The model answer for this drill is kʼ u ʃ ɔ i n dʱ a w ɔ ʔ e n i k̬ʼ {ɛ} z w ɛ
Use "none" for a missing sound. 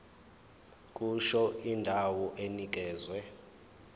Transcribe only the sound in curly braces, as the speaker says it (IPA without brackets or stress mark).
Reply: ɛː